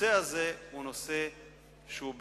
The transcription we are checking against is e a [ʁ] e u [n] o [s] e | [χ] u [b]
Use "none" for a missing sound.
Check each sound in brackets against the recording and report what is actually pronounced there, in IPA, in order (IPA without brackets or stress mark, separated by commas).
z, n, s, ʃ, b